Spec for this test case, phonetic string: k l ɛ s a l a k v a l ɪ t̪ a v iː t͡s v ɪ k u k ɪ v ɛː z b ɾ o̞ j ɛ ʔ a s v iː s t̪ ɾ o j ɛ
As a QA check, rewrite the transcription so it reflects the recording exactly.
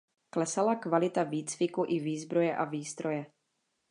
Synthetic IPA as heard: k l ɛ s a l a k v a l ɪ t̪ a v iː t͡s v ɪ k u ʔ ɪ v iː z b ɾ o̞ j ɛ ʔ a v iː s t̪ ɾ o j ɛ